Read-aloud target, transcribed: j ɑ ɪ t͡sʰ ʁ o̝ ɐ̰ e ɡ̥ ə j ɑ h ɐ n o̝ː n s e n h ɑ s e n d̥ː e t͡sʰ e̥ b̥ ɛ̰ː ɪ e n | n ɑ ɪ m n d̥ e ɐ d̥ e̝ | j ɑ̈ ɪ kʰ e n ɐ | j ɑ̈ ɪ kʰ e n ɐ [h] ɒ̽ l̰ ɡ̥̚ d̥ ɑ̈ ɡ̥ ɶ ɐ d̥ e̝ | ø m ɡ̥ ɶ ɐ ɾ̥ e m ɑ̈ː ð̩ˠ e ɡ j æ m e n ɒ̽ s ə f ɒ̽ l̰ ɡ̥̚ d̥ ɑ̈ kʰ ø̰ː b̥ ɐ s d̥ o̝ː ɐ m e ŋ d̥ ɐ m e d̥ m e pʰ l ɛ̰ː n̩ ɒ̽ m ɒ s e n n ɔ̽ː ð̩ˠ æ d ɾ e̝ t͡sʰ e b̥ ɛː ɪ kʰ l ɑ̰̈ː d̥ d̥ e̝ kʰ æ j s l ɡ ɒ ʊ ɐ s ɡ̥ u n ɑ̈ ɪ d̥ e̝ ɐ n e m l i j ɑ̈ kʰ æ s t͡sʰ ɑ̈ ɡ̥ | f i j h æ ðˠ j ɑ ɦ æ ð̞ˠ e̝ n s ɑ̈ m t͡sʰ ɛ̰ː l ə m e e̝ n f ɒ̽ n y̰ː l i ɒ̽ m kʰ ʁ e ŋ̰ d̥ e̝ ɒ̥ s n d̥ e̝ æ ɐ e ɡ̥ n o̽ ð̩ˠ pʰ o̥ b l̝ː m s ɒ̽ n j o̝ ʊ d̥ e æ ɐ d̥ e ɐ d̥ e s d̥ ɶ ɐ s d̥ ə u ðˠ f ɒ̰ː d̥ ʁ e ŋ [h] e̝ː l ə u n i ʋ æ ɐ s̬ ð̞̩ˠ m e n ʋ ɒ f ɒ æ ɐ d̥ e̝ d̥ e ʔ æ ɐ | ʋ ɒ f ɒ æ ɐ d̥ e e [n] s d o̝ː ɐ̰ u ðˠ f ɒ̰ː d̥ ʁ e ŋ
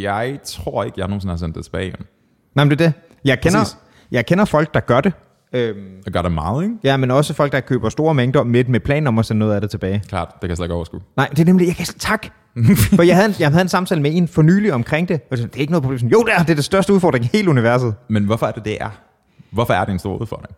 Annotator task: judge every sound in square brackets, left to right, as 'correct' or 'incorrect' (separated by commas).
incorrect, correct, correct